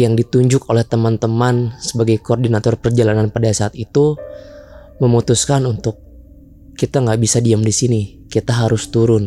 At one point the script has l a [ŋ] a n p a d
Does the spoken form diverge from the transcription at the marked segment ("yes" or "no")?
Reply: yes